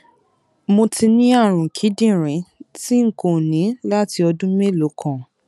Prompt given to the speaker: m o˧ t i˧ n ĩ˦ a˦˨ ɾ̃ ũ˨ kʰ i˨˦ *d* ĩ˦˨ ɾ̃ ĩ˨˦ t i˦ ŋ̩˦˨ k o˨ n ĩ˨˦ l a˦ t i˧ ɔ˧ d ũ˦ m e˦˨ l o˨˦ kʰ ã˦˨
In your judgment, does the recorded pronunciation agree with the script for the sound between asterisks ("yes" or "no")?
yes